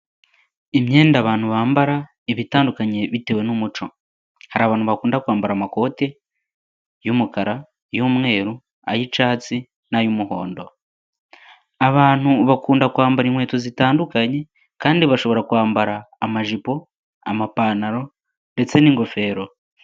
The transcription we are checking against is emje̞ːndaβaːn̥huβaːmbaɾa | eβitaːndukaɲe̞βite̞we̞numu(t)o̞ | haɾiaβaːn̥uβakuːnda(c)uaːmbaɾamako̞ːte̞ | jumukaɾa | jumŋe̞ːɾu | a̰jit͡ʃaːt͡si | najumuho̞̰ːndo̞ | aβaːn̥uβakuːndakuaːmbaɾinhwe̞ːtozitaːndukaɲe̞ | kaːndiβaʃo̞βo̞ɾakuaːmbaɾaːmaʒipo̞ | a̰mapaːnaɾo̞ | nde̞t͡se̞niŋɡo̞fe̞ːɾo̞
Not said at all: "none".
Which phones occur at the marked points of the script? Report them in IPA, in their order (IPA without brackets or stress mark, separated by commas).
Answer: t͡ʃ, k